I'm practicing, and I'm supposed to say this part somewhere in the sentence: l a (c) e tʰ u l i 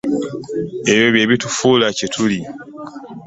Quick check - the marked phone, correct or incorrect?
correct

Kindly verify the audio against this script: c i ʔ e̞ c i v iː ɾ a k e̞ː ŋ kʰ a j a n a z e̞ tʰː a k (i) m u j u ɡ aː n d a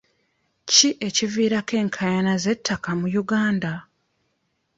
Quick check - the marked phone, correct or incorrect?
incorrect: a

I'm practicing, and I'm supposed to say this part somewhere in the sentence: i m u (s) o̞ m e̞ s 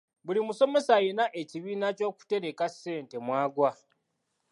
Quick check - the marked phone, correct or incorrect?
correct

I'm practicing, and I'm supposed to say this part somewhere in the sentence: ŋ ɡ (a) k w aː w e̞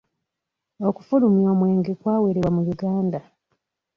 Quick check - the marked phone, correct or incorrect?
incorrect: e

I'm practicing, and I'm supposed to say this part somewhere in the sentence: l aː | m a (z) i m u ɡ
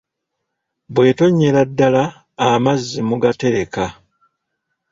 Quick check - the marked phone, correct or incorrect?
incorrect: zː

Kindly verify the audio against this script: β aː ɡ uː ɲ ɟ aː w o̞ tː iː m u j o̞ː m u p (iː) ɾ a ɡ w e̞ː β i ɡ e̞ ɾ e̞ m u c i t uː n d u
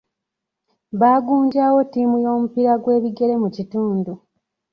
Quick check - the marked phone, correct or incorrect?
incorrect: i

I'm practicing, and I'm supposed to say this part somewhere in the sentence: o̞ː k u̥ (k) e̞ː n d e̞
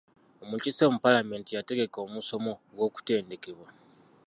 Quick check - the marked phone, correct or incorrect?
incorrect: t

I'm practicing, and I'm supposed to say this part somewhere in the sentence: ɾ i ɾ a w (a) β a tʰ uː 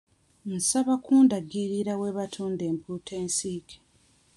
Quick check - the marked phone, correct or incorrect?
incorrect: e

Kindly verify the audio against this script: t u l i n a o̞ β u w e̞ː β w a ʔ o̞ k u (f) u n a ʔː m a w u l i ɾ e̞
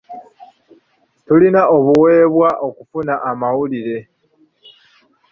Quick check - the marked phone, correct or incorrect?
correct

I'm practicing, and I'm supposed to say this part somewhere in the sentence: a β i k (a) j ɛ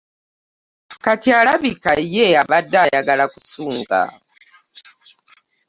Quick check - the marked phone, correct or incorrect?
correct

